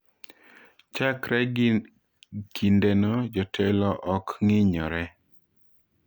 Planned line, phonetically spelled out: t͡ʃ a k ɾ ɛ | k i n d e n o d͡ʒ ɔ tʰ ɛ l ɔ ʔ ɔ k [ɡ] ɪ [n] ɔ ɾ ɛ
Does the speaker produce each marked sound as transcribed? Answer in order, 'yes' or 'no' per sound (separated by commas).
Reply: no, no